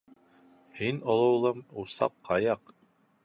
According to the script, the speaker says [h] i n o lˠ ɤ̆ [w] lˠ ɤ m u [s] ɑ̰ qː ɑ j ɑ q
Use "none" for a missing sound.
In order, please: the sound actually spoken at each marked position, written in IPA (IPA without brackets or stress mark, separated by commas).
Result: h, w, s